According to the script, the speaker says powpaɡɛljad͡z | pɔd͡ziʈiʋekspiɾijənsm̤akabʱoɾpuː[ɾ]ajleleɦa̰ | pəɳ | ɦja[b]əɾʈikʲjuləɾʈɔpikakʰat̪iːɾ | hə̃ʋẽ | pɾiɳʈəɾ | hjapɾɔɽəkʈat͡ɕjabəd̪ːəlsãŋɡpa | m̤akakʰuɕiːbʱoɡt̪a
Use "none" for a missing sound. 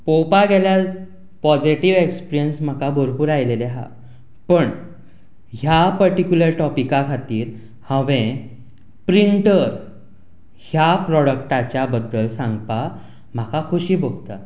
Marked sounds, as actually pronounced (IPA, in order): ɾ, p

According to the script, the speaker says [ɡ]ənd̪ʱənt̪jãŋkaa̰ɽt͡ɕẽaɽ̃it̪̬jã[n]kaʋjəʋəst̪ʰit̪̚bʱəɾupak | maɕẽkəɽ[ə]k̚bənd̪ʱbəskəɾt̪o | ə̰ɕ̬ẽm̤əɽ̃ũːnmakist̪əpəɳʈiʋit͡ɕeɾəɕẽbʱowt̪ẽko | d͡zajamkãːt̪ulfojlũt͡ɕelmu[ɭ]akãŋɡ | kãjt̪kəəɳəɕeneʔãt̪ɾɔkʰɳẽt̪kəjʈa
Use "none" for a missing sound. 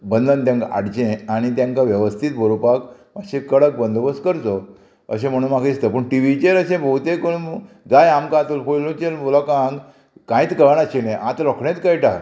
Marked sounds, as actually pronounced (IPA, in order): b, ŋ, ə, l

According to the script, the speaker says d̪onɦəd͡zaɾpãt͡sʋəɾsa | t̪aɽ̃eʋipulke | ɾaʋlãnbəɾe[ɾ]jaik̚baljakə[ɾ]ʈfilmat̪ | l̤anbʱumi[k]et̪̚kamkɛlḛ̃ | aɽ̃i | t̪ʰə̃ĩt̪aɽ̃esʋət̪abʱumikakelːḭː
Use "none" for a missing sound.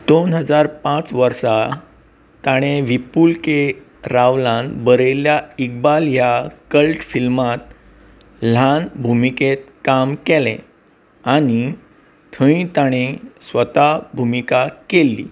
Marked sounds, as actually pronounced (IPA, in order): l, l, k

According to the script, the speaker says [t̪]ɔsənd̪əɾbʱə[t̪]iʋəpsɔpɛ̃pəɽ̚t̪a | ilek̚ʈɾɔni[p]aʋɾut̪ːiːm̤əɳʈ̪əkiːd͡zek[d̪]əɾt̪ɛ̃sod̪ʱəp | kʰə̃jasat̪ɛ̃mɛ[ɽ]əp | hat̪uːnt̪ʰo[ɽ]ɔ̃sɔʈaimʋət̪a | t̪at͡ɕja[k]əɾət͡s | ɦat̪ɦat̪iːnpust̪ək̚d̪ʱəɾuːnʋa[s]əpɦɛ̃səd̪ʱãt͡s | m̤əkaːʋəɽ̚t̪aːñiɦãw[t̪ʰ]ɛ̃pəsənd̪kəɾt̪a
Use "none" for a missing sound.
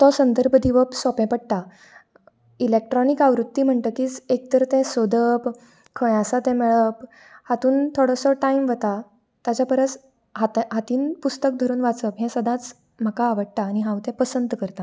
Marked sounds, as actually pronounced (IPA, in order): t̪, d̪, k, t̪, ɭ, ɽ, p, t͡s, t̪

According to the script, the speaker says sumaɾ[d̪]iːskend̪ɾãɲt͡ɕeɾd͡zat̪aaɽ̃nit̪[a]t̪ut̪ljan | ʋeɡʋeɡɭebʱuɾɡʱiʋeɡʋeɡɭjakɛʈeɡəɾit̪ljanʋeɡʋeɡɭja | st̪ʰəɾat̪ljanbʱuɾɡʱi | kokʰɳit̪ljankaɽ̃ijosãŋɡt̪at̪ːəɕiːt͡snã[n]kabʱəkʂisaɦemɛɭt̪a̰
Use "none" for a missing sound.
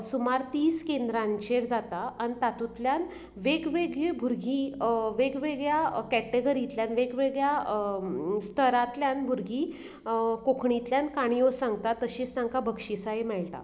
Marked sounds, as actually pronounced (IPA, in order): t̪, a, ŋ

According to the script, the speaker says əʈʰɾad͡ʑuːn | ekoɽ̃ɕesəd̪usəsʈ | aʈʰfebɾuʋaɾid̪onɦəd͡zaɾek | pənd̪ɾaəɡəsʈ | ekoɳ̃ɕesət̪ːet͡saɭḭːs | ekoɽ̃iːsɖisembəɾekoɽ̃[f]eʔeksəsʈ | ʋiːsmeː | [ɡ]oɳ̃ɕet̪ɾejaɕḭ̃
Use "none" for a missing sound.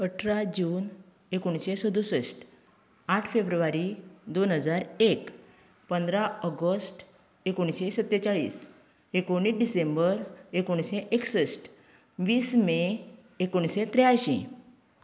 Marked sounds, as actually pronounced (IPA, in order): ɕ, k

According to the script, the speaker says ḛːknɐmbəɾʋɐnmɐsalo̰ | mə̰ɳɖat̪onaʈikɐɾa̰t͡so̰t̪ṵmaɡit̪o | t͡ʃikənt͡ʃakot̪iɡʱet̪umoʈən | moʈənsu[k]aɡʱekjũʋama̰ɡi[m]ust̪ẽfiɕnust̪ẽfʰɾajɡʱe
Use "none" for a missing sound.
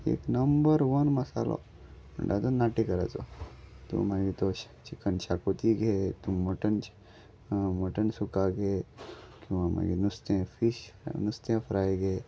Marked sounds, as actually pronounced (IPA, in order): k, n

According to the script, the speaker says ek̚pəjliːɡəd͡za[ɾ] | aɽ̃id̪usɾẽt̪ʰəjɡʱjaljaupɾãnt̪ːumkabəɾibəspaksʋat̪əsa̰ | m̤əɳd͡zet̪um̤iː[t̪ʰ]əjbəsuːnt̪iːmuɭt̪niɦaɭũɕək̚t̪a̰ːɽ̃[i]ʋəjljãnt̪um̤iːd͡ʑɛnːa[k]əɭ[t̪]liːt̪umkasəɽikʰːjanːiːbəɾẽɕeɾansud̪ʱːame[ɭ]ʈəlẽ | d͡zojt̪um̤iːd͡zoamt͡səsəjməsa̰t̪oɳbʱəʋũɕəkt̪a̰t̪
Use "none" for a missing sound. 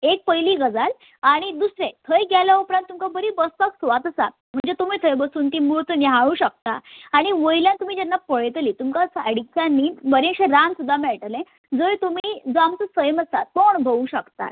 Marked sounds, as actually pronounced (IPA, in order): l, t̪ʰ, i, p, t̪, ɭ

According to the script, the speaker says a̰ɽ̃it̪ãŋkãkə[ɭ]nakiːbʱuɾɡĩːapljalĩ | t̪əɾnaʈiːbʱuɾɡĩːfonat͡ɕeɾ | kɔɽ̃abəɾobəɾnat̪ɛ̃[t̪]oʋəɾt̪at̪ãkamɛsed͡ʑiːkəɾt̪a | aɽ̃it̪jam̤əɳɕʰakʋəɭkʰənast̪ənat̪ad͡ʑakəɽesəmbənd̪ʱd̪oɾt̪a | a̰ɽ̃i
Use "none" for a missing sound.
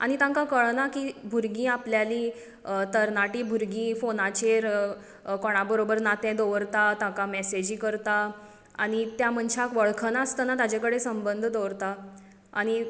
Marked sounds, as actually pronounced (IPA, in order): ɭ, d̪

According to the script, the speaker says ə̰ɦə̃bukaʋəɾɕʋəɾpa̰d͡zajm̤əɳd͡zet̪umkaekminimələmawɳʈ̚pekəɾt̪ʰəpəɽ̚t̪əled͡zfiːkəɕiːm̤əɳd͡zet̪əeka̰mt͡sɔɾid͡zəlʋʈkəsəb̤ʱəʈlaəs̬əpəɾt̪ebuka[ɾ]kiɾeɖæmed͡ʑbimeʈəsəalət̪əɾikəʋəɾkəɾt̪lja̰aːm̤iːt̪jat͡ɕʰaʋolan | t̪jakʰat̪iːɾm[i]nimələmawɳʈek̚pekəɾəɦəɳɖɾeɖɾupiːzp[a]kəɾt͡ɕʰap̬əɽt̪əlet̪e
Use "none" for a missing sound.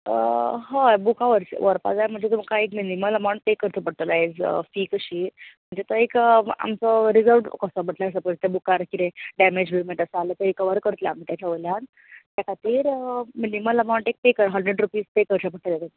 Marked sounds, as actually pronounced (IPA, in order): ɾ, i, e

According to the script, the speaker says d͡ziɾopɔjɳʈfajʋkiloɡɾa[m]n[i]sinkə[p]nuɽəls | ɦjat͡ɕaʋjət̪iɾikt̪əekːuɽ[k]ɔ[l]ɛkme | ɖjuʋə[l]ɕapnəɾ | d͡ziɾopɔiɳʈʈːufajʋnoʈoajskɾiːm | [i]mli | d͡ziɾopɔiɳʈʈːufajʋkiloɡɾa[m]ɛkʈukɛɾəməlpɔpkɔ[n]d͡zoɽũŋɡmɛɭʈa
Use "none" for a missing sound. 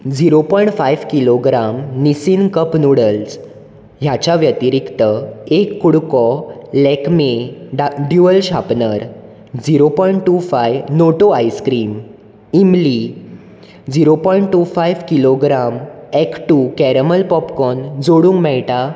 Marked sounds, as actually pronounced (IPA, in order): m, i, p, k, l, l, i, m, n

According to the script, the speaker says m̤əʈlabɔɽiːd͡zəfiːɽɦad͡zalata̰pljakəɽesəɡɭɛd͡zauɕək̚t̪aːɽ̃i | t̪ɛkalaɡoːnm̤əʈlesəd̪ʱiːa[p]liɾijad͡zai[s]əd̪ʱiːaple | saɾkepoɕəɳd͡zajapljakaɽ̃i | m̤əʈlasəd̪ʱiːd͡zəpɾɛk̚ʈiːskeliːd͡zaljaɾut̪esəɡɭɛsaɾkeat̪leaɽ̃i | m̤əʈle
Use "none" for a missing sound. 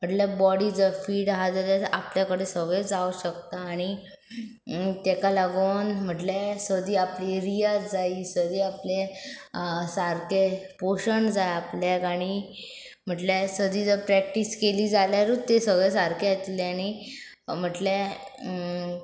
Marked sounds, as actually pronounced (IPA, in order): p, s

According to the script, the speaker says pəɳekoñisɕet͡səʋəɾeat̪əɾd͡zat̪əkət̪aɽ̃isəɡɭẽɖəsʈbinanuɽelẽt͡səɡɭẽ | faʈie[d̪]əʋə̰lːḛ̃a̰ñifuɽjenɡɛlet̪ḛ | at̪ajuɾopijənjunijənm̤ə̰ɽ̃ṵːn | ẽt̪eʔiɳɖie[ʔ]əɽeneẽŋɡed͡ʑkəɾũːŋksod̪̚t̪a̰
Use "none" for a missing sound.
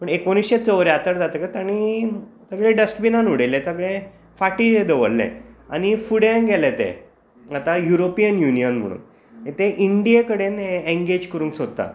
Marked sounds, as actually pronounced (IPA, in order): d̪, k

